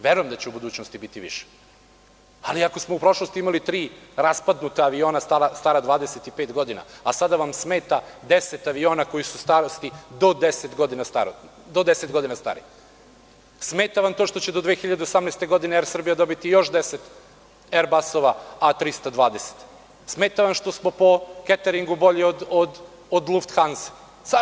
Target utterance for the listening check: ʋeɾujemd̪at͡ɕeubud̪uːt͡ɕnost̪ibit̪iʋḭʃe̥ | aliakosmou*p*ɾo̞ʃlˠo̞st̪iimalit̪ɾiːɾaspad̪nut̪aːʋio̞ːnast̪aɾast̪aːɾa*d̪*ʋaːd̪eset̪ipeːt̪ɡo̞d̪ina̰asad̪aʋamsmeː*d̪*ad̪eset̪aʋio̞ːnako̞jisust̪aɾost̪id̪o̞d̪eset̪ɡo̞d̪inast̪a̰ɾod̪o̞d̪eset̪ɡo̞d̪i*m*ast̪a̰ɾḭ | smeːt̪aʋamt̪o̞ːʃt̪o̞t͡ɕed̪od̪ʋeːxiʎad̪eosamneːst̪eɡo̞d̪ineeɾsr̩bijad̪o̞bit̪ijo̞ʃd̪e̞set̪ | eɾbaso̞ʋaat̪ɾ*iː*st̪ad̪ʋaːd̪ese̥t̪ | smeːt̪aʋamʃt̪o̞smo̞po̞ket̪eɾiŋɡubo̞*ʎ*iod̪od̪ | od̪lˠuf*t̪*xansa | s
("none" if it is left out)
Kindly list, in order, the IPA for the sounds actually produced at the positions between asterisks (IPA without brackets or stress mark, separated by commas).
p, d̪, t̪, n, i, ʎ, t̪